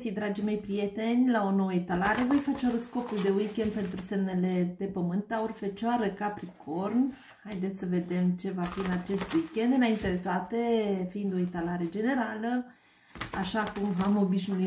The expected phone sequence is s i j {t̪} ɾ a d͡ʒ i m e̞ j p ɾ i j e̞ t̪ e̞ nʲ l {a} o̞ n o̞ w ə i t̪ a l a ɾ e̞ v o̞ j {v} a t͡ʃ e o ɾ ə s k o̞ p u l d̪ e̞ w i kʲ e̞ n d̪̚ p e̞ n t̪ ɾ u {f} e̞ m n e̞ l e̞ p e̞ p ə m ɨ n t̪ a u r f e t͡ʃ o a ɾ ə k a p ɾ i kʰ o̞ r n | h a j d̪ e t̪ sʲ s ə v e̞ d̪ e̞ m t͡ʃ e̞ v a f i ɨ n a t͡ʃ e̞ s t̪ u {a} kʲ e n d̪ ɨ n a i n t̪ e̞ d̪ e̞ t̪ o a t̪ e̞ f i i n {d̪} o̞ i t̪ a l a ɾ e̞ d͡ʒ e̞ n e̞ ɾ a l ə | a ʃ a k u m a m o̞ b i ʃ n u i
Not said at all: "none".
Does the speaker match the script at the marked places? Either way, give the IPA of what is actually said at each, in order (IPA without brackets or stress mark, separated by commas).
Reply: d̪, a, f, s, i, d̪